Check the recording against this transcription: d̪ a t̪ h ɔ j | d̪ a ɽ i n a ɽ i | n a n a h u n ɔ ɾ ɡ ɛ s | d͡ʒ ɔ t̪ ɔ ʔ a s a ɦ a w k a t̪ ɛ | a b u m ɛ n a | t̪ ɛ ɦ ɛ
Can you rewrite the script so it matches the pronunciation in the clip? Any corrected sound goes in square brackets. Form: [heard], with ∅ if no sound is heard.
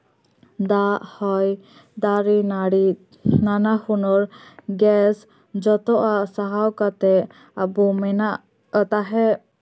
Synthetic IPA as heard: d̪ a [∅] h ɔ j | d̪ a [ɾ] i n a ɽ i | n a n a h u n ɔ ɾ ɡ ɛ s | d͡ʒ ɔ t̪ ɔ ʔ a s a ɦ a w k a t̪ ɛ | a b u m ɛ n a | t̪ [a] ɦ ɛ